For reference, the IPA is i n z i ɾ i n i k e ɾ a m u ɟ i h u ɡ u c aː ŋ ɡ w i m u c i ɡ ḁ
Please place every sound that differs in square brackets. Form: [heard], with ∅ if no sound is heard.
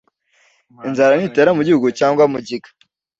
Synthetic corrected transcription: i n z [a] ɾ [a] n i [t] e ɾ a m u ɟ i h u ɡ u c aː ŋ ɡ w [a] m u [ɟ] i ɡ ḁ